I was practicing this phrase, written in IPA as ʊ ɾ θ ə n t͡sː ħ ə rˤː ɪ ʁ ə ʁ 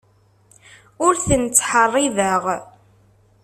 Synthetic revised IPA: ʊ ɾ θ ə n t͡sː ħ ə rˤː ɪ ð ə ʁ